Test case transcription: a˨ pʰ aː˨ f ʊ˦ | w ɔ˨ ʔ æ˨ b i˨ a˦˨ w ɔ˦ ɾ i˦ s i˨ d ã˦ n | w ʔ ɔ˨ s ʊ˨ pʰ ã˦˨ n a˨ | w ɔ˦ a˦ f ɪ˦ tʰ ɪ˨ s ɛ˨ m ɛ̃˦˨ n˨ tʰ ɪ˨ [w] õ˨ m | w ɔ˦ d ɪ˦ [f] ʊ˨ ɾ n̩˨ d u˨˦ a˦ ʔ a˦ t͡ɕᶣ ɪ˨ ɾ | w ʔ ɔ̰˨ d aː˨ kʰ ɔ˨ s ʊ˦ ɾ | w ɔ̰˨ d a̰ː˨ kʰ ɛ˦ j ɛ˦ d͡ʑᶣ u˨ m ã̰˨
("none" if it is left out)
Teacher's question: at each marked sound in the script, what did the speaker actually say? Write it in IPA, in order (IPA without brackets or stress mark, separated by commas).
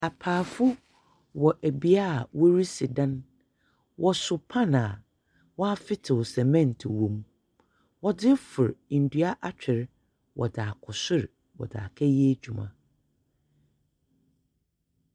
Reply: w, f